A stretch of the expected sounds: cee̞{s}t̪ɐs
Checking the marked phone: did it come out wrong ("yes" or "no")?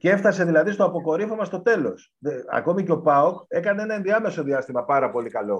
yes